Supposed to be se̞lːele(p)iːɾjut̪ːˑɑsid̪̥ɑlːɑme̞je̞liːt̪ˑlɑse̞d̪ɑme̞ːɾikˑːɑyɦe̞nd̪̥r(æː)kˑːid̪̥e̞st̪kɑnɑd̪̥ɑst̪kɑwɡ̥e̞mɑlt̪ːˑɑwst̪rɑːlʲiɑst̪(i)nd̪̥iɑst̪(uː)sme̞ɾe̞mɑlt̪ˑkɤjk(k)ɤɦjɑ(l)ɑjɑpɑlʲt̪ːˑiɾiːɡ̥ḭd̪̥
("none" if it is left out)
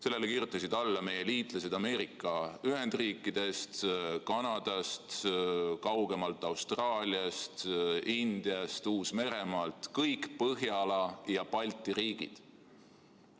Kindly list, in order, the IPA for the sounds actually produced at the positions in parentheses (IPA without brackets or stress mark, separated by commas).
k, iː, i, uː, p, l